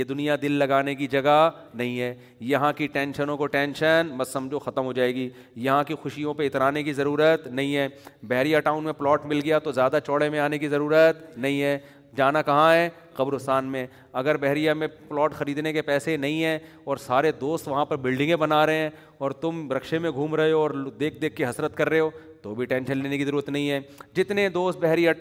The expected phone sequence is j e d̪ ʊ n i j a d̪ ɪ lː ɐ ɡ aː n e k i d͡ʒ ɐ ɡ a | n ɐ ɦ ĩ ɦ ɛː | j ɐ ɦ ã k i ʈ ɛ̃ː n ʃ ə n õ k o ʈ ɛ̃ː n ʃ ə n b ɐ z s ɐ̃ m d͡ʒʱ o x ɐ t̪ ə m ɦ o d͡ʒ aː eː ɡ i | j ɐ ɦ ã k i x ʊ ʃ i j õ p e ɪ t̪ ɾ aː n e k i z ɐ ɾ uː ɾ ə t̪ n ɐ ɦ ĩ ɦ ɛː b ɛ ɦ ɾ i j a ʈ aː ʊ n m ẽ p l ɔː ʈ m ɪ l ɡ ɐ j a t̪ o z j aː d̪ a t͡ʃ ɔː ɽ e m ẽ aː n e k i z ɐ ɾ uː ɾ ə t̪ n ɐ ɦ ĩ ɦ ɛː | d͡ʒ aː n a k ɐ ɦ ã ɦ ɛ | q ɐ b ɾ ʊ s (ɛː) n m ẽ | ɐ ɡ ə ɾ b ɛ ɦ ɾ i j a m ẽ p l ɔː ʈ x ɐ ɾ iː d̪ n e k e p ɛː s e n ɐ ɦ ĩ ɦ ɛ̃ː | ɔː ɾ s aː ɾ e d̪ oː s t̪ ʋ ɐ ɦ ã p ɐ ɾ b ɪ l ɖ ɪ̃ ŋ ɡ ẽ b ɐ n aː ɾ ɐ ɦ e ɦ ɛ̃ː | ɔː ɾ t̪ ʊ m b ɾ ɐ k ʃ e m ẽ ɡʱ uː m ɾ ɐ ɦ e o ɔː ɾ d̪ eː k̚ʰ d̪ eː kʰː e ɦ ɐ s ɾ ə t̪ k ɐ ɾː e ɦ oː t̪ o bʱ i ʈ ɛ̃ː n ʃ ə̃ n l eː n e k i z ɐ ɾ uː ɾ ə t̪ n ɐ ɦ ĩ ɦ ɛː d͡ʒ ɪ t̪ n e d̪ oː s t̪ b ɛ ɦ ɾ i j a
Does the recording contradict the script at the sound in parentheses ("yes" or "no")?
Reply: yes